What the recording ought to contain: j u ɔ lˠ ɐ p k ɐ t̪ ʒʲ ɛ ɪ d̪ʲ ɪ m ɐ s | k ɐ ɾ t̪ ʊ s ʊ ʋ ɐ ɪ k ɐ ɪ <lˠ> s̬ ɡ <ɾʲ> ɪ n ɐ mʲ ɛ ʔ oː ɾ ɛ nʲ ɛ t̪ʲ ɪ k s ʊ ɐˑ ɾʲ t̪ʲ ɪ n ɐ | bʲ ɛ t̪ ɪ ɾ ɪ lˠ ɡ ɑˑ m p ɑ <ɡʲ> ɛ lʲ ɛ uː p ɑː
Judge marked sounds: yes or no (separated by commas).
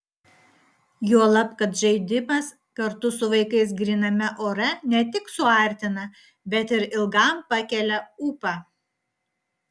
no, yes, no